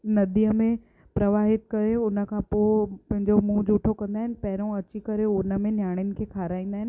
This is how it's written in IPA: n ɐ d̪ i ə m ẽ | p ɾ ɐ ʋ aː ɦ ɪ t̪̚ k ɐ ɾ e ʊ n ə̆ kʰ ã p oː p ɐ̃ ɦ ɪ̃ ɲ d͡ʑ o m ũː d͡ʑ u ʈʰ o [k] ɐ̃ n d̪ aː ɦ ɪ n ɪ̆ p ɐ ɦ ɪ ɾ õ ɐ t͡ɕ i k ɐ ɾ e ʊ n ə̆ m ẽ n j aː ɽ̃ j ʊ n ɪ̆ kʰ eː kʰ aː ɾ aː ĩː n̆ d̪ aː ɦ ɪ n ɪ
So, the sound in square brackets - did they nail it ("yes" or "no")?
yes